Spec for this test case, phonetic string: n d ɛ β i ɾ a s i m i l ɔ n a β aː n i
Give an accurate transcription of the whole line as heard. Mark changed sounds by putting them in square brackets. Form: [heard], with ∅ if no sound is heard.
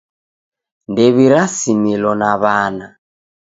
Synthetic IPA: n d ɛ β i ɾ a s i m i l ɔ n a β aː n [a]